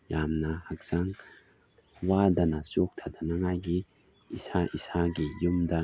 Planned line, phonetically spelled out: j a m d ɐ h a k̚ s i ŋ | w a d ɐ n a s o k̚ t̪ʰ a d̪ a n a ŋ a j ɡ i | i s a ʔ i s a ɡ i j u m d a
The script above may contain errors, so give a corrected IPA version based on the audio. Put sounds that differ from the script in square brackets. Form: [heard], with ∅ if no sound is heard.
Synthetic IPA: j a m [n] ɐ h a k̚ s [a] ŋ | w a d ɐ n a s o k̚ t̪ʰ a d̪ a n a ŋ a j ɡ i | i s a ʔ i s a ɡ i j u m d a